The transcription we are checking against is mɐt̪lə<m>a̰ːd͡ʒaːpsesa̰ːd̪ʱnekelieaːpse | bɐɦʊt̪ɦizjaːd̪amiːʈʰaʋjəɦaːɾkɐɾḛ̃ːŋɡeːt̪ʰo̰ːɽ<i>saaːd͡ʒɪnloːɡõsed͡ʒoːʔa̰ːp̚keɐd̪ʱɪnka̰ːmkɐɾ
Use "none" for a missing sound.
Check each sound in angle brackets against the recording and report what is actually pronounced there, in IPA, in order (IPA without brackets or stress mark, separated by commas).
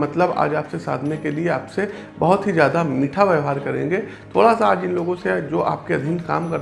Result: b, a